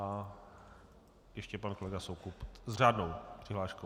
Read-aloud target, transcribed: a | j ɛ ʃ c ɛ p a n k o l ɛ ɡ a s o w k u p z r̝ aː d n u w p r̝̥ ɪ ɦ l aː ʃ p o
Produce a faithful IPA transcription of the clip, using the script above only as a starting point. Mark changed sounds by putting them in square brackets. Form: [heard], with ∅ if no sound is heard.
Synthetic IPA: a | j ɛ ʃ c ɛ p a n k o l ɛ ɡ a s o w k u p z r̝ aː d n [o] w p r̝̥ ɪ ɦ l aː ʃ [k] o

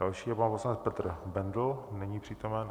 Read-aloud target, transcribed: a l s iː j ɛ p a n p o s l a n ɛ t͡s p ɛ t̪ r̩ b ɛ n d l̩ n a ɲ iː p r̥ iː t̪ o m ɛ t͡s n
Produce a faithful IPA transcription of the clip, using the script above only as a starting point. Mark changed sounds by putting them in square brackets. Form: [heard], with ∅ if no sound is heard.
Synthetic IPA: a l [ʃ] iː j ɛ p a n p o s l a n ɛ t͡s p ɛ t̪ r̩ b ɛ n d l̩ n [ɛ] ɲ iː p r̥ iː t̪ o m ɛ [∅] n

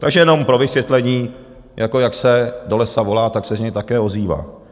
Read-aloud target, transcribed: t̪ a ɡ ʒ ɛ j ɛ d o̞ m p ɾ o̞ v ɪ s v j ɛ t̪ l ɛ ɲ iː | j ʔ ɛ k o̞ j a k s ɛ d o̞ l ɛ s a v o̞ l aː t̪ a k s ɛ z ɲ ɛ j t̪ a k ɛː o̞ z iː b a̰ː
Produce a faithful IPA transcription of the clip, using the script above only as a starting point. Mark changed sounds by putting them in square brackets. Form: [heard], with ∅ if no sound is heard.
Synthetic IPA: t̪ a ɡ ʒ ɛ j ɛ [n] o̞ m p ɾ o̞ v ɪ s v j ɛ t̪ l ɛ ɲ iː | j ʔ [a] k o̞ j a k s ɛ d o̞ l ɛ s a v o̞ l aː t̪ a k s ɛ z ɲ ɛ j t̪ a k ɛː o̞ z iː [v] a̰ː

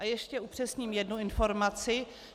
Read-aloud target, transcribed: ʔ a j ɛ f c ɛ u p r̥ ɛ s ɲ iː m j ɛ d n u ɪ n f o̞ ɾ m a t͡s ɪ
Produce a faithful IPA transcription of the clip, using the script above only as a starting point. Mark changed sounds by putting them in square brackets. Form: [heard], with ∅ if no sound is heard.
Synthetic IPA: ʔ a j ɛ [ʃ] c ɛ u p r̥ ɛ s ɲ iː m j ɛ d n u ɪ n f o̞ ɾ m a t͡s ɪ

